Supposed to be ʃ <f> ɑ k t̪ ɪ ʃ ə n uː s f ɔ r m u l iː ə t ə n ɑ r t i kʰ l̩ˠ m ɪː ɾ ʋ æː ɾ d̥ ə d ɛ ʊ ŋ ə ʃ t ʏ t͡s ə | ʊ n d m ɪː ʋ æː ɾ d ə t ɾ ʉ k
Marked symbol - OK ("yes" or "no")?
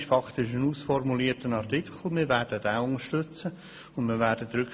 yes